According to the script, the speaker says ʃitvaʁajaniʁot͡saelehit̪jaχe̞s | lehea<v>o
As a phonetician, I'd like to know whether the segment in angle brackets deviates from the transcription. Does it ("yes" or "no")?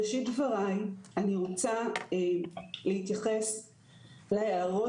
yes